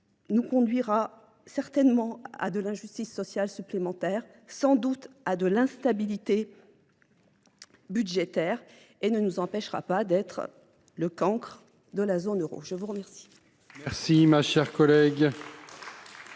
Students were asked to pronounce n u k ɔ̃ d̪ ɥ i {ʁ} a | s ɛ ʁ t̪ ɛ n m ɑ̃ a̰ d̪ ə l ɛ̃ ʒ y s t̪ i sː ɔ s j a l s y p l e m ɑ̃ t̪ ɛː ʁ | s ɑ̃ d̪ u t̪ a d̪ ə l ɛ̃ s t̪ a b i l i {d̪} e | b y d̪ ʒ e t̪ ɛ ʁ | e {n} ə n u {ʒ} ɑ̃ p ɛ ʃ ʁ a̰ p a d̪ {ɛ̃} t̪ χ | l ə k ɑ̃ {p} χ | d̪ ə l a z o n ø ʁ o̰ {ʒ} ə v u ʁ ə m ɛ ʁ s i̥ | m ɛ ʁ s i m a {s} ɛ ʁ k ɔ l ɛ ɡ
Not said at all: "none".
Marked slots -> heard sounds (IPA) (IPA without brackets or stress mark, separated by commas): ʁ, t̪, n, z, ɛ, k, ʒ, ʃ